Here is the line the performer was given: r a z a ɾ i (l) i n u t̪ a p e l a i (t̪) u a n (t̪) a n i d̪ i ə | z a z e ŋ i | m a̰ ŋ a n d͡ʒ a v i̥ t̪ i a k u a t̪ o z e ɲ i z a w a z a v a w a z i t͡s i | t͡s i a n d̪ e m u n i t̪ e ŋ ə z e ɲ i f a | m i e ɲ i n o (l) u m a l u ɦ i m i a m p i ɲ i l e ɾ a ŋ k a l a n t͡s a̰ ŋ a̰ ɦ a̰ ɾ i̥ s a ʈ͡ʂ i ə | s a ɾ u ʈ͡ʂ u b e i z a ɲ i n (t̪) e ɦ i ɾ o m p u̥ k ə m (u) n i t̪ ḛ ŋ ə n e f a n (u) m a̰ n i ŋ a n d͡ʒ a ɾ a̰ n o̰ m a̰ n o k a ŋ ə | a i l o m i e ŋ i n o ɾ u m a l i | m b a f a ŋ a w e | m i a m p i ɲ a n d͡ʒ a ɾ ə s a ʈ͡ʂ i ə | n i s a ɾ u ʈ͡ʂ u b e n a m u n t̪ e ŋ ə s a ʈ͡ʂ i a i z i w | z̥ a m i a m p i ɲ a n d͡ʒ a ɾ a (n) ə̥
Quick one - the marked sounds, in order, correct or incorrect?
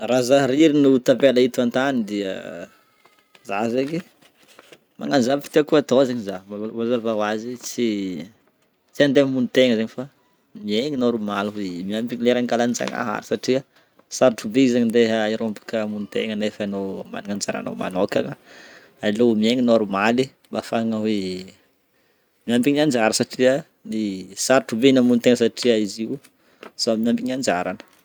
incorrect: ɾ, correct, correct, incorrect: ɾ, incorrect: d̪, correct, incorrect: o, correct

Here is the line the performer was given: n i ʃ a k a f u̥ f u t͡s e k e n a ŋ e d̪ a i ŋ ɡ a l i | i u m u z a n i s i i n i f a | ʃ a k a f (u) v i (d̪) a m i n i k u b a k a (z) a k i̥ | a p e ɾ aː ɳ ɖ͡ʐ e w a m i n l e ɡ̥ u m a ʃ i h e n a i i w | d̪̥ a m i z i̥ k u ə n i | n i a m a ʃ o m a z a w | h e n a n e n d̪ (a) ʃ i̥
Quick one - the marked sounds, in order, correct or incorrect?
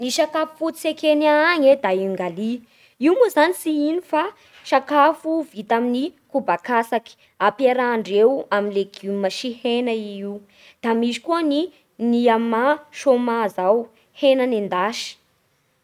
correct, incorrect: t̪, incorrect: s, correct

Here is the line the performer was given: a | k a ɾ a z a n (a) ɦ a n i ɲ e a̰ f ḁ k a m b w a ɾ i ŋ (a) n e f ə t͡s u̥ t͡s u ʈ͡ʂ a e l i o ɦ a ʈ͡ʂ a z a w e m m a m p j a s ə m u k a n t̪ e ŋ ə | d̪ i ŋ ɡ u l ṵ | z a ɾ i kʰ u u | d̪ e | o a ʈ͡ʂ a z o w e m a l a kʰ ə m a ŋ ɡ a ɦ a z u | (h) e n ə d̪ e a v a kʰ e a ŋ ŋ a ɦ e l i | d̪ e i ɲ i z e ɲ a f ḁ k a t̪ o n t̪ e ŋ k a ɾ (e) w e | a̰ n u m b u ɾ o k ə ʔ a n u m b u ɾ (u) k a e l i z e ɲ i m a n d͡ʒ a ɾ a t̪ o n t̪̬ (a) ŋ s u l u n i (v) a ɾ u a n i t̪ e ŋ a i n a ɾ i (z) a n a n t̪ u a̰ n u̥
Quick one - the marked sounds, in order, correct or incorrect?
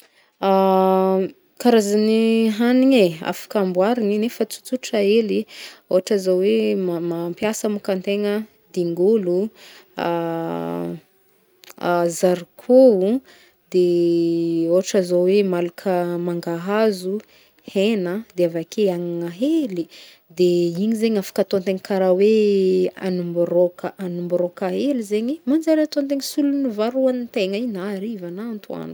incorrect: i, incorrect: i, correct, incorrect: a, incorrect: o, incorrect: e, correct, incorrect: v

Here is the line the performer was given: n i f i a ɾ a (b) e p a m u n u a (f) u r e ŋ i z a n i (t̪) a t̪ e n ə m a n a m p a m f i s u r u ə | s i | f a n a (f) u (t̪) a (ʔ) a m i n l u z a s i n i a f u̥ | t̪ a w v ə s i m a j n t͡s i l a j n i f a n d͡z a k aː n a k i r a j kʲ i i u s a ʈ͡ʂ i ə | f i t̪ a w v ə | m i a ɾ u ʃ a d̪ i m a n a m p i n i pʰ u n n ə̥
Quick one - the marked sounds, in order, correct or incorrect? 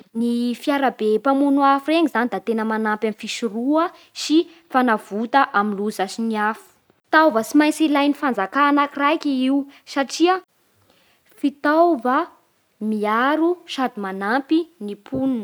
correct, correct, incorrect: d̪, incorrect: v, correct, correct

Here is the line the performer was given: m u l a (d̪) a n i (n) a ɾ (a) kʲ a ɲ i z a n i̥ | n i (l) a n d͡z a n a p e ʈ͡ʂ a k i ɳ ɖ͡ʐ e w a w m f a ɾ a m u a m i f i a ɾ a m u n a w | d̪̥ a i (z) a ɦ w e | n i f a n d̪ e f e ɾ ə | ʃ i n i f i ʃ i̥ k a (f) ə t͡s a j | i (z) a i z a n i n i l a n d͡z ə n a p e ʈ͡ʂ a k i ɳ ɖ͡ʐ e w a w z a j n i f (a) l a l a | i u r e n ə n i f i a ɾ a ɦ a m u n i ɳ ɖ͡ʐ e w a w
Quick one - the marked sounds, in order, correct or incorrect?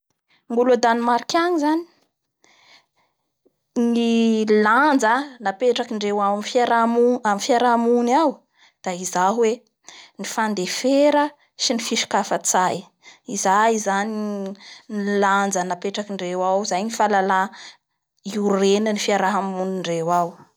correct, incorrect: m, incorrect: i, correct, correct, correct, correct, correct

